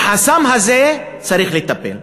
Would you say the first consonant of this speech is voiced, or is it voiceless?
voiceless